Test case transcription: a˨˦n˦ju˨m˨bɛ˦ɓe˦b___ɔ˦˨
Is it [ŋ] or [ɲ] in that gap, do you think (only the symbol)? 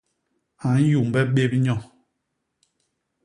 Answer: ɲ